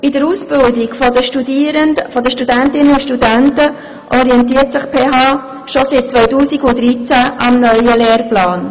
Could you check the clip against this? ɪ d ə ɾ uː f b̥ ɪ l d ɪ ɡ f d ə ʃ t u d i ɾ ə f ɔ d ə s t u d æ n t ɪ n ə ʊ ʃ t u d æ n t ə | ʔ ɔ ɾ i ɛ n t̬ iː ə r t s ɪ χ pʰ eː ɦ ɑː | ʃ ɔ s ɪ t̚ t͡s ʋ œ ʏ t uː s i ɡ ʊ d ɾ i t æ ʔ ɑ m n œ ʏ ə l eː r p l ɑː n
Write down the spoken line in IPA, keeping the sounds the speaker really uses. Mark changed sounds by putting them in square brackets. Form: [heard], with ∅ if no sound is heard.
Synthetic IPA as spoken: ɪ d ə ɾ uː [s] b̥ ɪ l d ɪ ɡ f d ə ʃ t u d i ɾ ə f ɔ d ə [ʃ] t u d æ n t ɪ n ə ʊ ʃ t u d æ n t ə | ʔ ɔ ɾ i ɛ n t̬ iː ə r t s ɪ χ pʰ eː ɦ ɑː | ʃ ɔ s ɪ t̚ t͡s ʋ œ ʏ t uː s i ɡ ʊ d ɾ i [t͡s] æ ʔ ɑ m n œ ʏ ə l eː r p l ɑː n